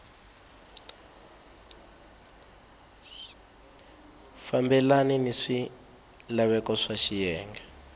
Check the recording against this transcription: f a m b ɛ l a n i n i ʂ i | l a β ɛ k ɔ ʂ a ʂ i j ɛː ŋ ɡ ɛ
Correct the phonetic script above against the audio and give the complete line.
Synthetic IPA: f a m b ɛ l a n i n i ʂ i | l a β ɛ k ɔ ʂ a ʃ i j ɛː ŋ ɡ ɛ